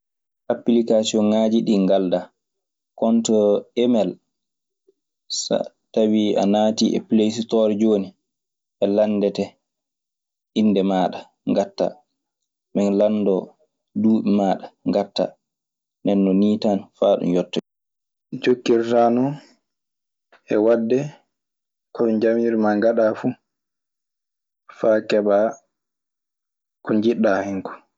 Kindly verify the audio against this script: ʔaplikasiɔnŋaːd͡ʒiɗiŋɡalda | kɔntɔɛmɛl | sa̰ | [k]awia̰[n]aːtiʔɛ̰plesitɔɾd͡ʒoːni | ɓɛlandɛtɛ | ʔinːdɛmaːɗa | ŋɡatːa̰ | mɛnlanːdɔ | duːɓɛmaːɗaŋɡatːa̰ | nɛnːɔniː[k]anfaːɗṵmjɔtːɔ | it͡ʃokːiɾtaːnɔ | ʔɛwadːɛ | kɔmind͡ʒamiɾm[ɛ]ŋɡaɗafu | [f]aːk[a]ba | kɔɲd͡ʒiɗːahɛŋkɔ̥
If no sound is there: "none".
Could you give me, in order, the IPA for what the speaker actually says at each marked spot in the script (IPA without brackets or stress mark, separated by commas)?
t, n, t, a, f, ɛ